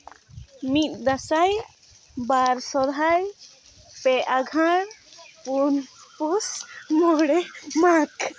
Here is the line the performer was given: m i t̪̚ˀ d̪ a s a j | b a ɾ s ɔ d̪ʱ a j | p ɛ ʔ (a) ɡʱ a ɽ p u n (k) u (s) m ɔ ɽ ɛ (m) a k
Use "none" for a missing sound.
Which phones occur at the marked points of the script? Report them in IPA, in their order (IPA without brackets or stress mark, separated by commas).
a, p, s, m